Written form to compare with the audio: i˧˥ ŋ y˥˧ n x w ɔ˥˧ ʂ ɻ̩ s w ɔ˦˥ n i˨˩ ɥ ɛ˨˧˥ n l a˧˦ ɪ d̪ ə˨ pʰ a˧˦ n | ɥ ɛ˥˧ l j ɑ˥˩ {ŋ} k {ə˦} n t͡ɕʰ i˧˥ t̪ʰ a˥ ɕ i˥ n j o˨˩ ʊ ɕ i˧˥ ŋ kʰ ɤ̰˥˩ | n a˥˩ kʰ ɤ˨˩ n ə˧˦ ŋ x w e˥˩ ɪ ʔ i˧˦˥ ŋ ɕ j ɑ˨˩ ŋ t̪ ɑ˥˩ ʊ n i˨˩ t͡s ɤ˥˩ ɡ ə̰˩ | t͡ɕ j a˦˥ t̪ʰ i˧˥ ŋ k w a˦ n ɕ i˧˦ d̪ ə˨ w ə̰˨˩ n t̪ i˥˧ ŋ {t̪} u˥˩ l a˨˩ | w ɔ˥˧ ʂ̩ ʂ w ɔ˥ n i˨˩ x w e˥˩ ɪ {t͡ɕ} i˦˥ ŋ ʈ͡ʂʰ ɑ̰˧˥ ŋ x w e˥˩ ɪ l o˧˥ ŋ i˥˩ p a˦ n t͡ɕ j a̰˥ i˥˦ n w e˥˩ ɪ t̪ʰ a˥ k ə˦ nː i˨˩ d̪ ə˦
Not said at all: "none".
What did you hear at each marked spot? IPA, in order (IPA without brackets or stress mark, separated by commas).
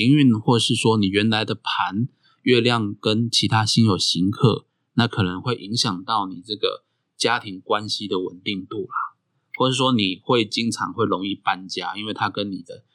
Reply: ŋ, ə˦, t̪, t͡ɕ